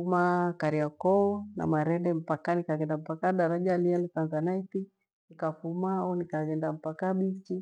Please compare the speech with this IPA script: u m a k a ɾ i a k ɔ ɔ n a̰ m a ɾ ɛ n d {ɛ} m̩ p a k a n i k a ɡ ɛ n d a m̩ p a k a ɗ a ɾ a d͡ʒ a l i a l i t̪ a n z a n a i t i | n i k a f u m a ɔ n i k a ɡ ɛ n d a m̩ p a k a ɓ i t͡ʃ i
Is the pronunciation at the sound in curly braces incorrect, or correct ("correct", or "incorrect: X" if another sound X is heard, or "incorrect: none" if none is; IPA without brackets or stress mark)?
correct